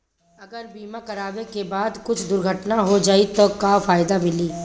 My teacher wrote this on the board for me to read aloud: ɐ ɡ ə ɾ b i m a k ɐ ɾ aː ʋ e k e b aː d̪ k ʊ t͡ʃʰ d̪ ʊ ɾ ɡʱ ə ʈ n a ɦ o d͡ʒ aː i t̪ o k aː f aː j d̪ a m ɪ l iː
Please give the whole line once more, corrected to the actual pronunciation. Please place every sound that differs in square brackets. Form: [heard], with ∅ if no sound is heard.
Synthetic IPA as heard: ɐ ɡ ə ɾ b [iː] m a k ɐ ɾ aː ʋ e k e b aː d̪ k ʊ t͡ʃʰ d̪ ʊ ɾ ɡʱ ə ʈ n a ɦ o d͡ʒ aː i t̪ o k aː f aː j d̪ a m ɪ l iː